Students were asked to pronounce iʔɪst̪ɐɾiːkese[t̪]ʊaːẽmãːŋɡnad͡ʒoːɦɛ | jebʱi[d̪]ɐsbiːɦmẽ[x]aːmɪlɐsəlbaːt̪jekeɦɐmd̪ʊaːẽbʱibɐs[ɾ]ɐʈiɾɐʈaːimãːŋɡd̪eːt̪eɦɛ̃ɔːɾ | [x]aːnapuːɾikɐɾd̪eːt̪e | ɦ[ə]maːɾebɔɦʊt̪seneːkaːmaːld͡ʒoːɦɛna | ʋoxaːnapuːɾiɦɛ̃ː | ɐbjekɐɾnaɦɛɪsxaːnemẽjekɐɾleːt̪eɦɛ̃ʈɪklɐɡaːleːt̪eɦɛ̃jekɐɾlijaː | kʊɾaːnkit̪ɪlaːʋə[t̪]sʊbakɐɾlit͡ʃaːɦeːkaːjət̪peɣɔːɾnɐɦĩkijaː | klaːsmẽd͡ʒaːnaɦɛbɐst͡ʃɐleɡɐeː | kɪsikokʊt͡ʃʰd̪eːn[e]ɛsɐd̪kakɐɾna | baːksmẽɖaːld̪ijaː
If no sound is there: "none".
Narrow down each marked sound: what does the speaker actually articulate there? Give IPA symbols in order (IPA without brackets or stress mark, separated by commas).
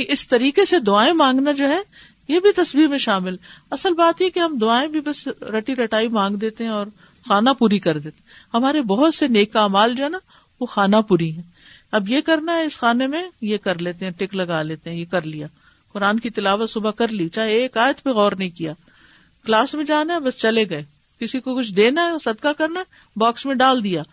d̪, t̪, ʃ, ɾ, x, ɐ, t̪, a